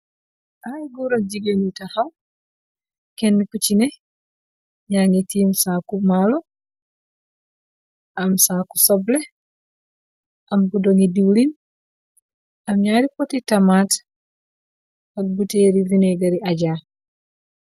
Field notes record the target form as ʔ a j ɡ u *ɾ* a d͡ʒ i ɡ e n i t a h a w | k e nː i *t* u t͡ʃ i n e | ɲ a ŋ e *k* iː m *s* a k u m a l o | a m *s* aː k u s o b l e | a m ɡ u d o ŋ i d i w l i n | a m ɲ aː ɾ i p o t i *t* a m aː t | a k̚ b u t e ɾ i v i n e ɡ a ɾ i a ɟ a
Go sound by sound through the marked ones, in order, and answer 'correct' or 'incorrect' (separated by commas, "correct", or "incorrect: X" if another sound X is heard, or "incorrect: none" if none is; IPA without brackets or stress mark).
correct, incorrect: k, incorrect: t, correct, correct, correct